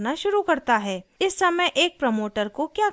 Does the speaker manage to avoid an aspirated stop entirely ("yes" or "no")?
yes